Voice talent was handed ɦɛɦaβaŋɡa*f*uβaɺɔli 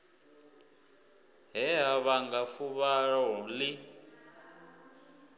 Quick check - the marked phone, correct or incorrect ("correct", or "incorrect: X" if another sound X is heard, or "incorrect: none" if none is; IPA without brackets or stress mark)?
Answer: correct